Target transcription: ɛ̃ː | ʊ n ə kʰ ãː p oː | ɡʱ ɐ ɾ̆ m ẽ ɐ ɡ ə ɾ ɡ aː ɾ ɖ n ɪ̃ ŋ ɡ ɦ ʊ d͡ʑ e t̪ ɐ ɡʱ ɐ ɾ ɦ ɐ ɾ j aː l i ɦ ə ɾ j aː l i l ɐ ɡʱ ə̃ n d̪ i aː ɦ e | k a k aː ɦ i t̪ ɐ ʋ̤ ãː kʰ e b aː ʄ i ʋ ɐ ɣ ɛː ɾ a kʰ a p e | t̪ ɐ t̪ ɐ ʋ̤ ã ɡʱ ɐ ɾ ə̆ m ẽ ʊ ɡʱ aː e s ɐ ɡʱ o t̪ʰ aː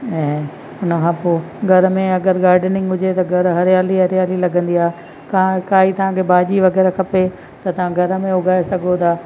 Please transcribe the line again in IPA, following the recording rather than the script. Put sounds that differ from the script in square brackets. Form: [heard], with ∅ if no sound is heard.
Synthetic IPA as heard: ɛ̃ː | ʊ n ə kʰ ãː p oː | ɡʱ ɐ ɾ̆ m ẽ ɐ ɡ ə ɾ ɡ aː ɾ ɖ n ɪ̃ ŋ ɡ ɦ ʊ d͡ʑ e t̪ ɐ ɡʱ ɐ ɾ ɦ ɐ ɾ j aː l i ɦ [ɐ] ɾ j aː l i l ɐ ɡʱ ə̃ n d̪ i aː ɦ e | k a k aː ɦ i t̪ ɐ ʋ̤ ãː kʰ e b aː ʄ i ʋ ɐ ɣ ɛː ɾ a kʰ [ɐ] p e | t̪ ɐ t̪ ɐ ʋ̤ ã ɡʱ ɐ ɾ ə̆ m ẽ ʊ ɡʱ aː e s ɐ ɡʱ o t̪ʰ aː